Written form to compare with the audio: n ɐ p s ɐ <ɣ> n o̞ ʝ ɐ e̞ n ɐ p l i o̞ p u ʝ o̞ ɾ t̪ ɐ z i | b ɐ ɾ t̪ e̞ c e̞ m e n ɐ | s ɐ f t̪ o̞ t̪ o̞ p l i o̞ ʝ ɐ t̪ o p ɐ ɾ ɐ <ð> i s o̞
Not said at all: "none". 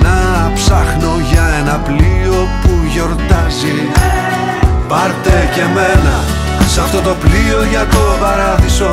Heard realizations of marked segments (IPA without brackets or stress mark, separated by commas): x, ð